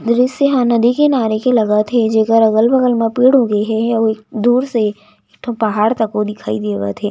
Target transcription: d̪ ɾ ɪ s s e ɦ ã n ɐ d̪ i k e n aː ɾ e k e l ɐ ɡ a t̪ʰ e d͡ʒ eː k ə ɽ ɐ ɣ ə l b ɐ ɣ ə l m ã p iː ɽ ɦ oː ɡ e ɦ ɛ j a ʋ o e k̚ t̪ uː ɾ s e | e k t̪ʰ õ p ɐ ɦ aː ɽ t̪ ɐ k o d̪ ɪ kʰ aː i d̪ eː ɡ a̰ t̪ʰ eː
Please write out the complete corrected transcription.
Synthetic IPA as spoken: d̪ ɾ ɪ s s e ɦ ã n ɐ d̪ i k e n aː ɾ e k e l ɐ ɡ a t̪ʰ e d͡ʒ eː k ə ɾ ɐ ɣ ə l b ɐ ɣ ə l m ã p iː ɽ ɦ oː ɡ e ɦ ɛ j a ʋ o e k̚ d̪ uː ɾ s e | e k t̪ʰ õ p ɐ ɦ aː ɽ t̪ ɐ k o d̪ ɪ kʰ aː i d̪ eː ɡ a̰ t̪ʰ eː